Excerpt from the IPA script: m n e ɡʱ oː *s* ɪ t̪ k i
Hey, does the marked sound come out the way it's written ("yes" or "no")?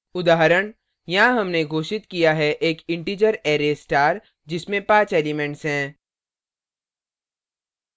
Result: no